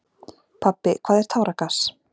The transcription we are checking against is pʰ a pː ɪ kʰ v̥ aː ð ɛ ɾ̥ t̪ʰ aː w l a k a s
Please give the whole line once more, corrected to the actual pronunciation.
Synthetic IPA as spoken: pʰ a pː ɪ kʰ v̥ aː ð ɛ ɾ̥ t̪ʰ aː w ɾ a k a s